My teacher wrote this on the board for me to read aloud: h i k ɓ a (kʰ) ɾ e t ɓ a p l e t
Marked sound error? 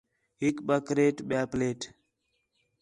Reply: yes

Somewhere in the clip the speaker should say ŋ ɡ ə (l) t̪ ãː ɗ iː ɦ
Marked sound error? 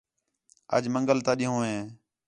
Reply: no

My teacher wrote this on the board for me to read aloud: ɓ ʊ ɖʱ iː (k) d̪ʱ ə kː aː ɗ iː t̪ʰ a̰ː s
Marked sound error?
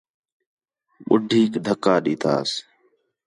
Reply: no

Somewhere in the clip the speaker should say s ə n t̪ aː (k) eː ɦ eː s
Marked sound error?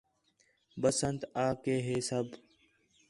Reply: no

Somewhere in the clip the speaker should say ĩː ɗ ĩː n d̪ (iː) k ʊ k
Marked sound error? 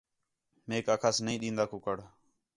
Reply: yes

